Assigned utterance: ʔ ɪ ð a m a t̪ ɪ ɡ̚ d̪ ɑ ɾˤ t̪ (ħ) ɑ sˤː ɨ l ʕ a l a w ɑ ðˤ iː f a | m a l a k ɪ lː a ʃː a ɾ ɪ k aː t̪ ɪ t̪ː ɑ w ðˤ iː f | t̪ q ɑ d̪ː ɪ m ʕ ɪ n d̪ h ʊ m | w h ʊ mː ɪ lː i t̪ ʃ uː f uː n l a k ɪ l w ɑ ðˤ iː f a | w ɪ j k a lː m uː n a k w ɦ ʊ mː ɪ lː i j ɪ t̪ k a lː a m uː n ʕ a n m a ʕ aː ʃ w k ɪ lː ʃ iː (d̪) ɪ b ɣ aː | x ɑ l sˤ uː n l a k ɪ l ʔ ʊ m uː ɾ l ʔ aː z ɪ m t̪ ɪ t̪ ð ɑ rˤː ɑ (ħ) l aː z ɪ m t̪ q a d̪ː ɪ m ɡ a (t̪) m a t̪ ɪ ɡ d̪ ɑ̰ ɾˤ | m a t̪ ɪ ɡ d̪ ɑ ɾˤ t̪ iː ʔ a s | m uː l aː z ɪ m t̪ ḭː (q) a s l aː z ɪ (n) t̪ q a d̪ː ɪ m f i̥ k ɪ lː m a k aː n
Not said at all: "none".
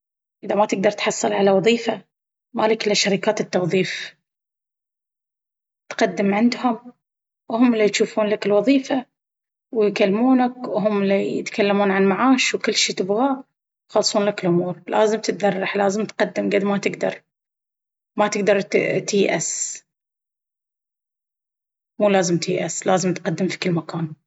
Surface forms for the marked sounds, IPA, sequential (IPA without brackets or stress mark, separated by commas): ħ, t̪, ħ, d̪, ʔ, m